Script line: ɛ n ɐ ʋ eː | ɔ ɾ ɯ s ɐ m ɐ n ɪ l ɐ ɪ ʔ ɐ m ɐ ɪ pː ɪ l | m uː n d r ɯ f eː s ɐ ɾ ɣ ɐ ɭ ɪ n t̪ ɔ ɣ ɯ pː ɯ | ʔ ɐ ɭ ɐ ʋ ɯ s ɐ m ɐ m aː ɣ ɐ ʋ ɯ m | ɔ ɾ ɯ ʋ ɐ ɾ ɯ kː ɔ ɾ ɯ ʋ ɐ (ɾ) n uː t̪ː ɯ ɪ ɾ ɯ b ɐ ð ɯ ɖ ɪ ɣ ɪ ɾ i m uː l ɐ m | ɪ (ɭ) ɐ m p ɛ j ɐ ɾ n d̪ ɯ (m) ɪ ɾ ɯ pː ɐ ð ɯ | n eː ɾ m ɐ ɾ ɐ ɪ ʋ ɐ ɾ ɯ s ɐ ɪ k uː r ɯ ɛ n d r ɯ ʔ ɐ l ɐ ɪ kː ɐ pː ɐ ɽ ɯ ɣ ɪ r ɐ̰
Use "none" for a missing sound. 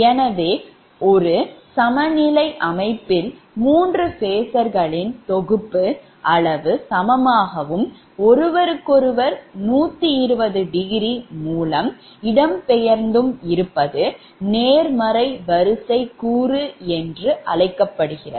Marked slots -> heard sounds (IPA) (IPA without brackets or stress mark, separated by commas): ɾ, ɽ, m